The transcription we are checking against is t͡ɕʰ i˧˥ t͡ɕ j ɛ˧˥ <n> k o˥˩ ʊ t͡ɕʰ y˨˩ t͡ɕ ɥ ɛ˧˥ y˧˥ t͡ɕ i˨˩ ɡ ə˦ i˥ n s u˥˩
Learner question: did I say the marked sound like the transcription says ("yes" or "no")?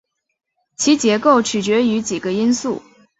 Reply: no